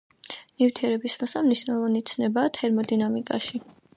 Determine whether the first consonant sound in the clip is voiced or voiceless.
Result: voiced